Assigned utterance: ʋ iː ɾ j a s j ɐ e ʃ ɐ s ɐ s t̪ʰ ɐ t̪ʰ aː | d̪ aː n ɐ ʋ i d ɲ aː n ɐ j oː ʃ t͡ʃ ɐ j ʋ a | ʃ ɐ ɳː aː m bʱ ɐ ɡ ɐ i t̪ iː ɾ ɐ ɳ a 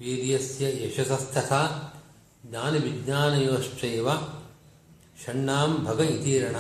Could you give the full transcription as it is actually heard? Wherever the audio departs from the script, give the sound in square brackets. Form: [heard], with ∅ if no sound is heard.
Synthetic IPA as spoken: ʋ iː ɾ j [ɐ] s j ɐ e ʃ ɐ s ɐ s t̪ʰ ɐ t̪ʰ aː | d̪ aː n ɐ ʋ i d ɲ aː n ɐ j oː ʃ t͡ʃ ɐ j ʋ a | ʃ ɐ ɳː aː m bʱ ɐ ɡ ɐ i t̪ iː ɾ ɐ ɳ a